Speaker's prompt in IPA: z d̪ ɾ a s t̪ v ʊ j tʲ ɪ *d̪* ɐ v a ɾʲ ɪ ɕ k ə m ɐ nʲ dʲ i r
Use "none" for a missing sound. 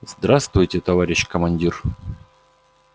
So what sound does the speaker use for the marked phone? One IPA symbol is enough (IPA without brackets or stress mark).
t̪